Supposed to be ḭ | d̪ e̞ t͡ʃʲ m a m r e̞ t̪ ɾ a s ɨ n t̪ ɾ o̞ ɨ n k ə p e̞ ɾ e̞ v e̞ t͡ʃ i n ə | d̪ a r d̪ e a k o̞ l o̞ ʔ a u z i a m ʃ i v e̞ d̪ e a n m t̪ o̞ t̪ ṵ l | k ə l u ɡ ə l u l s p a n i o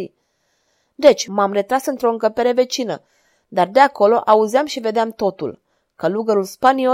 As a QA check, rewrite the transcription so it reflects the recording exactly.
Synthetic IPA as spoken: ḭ | d̪ e̞ t͡ʃʲ m a m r e̞ t̪ ɾ a s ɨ n t̪ ɾ o̞ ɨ ŋ k ə p e̞ ɾ e̞ v e̞ t͡ʃ i n ə | d̪ a r d̪ e a k o̞ l o̞ ʔ a u z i a m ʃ i v e̞ d̪ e a m t̪ o̞ t̪ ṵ l | k ə l u ɡ ə ɾ u l s p a n i o